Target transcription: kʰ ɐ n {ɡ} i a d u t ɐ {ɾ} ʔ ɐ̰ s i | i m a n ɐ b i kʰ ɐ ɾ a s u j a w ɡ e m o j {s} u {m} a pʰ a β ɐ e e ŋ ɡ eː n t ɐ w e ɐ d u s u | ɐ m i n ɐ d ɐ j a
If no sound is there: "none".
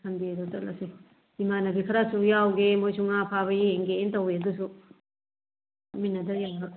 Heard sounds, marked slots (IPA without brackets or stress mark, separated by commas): d, l, s, ŋ